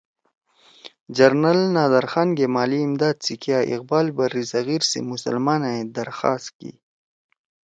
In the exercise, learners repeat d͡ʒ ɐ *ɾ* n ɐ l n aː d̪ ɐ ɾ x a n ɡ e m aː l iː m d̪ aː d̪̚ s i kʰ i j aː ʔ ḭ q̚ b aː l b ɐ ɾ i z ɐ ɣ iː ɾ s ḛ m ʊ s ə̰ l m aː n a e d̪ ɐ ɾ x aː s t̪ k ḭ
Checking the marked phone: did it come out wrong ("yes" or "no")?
no